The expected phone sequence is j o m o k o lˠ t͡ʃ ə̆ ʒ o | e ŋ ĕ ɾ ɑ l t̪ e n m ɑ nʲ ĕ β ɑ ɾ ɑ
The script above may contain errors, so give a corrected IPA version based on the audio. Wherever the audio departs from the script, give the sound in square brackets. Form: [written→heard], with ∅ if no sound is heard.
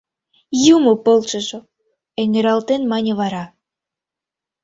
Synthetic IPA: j [o→u] m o [k→p] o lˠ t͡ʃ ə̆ ʒ o | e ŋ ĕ ɾ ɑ l t̪ e n m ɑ nʲ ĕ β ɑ ɾ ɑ